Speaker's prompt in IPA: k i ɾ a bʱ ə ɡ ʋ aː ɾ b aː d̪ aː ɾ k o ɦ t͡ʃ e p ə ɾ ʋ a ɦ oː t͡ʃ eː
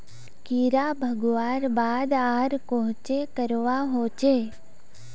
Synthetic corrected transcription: k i ɾ a bʱ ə ɡ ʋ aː ɾ b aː d̪ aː ɾ k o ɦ t͡ʃ e k ə ɾ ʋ a ɦ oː t͡ʃ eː